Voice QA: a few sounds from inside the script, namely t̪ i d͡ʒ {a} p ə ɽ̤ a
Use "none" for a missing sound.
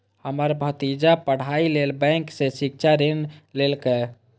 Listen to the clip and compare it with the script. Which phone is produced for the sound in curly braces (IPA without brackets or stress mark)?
a